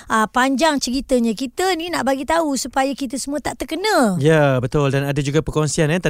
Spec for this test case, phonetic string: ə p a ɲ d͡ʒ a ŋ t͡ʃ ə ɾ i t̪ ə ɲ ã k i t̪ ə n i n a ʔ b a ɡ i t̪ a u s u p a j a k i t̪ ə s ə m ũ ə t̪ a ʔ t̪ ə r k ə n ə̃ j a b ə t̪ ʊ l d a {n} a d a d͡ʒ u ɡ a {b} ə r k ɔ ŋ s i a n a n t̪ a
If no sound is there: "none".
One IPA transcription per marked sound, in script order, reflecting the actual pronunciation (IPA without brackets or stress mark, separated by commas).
n, p